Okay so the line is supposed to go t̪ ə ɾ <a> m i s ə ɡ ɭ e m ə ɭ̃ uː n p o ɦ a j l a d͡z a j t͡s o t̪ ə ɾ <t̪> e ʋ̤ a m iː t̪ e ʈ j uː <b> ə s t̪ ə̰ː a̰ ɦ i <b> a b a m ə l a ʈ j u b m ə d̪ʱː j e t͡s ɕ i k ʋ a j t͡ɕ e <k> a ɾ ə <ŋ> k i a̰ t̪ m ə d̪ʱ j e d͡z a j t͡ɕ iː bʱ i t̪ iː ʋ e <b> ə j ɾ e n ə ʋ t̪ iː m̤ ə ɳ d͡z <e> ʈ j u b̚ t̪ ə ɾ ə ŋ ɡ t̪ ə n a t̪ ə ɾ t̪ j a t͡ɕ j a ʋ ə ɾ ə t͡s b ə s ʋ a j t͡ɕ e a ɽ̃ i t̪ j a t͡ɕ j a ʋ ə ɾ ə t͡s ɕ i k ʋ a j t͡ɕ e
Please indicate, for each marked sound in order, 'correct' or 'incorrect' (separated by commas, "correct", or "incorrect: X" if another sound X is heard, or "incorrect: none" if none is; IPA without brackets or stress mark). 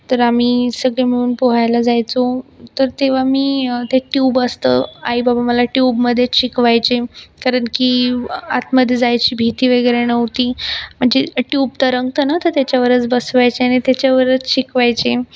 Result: correct, correct, correct, correct, correct, incorrect: ɳ, incorrect: ɡ, correct